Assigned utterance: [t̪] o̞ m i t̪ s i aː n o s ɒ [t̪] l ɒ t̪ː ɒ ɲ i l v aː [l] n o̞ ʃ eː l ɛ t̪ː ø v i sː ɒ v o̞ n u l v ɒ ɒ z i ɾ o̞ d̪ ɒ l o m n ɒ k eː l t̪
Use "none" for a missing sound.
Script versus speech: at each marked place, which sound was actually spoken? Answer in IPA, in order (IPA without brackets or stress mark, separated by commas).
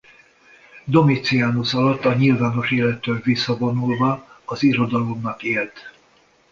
d̪, none, none